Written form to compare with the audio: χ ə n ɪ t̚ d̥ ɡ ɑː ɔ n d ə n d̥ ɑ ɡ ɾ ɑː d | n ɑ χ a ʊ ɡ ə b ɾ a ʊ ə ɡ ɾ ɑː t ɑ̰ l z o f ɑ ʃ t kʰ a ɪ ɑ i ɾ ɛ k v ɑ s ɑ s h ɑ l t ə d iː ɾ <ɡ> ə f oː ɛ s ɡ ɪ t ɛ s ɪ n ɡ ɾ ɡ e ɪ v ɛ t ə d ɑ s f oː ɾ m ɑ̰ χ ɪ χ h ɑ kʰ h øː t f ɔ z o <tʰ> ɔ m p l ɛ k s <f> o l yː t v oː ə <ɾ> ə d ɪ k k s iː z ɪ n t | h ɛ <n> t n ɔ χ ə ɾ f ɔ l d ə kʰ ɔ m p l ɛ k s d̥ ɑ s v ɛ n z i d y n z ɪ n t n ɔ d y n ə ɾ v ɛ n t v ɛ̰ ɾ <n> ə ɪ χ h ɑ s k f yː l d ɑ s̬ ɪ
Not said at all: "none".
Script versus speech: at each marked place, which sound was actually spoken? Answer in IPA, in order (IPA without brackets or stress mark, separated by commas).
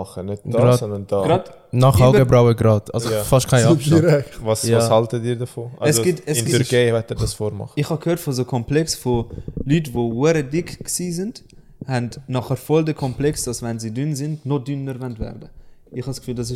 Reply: d, kʰ, f, ɾ, n, d